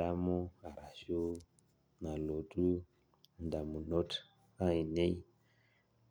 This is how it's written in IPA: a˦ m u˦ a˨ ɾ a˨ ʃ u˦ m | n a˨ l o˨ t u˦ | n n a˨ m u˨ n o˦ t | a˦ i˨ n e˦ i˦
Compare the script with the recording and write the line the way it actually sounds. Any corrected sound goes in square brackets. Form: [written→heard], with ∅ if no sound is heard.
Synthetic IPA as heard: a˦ m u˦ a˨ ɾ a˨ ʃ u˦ [m→∅] | n a˨ l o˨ t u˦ | n [n→d] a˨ m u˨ n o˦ t | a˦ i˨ n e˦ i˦